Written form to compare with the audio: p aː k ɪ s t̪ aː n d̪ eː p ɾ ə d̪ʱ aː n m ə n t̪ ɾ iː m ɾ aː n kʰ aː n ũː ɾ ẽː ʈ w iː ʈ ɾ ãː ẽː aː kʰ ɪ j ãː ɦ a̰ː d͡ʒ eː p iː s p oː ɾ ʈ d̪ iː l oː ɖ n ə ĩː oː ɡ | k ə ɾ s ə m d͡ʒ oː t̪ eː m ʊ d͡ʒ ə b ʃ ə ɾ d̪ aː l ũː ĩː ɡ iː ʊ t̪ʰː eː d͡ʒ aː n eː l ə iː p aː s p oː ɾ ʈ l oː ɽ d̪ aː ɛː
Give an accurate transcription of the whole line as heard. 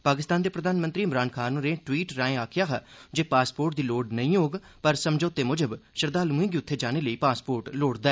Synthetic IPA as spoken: p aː k ɪ s t̪ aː n d̪ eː p ɾ ə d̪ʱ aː n m ə n t̪ ɾ iː m ɾ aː n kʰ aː n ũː ɾ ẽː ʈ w iː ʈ ɾ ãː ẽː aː kʰ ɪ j aː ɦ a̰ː d͡ʒ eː p aː s p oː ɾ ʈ d̪ iː l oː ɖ n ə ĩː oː ɡ | p ə ɾ s ə m d͡ʒ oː t̪ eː m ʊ d͡ʒ ə b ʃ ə ɾ d̪ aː l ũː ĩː ɡ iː ʊ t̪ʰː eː d͡ʒ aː n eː l ə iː p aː s p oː ɾ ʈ l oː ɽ d̪ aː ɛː